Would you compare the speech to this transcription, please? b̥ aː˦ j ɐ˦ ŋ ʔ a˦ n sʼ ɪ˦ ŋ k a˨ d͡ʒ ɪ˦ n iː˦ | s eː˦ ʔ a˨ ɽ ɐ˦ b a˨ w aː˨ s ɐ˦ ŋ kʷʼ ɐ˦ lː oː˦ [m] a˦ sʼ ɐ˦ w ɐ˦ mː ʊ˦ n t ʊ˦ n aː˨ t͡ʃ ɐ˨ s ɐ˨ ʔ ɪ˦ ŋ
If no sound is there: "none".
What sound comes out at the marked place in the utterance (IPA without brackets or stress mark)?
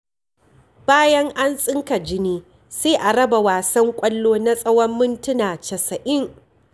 n